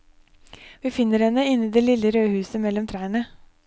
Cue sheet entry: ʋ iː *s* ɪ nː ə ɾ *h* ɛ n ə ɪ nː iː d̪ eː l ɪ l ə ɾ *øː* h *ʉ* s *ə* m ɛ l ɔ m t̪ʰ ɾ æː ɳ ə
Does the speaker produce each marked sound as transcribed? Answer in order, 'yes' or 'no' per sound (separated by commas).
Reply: no, yes, yes, no, yes